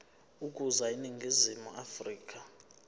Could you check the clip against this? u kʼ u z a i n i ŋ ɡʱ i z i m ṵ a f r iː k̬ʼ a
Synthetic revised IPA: u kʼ u z a i n i ŋ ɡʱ i z i m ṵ a f r iː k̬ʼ a